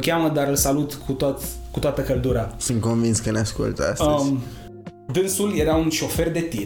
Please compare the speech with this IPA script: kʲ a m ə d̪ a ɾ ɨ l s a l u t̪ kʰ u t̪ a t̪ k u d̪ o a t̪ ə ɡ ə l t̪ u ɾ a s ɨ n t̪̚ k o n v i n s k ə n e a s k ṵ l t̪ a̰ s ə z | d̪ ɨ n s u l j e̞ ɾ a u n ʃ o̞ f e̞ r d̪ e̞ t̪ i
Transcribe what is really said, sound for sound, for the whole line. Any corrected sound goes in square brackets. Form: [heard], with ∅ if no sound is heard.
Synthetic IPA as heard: kʲ a m ə d̪ a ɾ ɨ l s a l u t̪ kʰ u t̪ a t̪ k u [t̪] o a t̪ ə [k] ə l [d̪] u ɾ a s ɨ n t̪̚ k o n v i n s k ə n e a s k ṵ l t̪ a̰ s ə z | d̪ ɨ n s u l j e̞ ɾ a u n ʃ o̞ f e̞ r d̪ e̞ t̪ i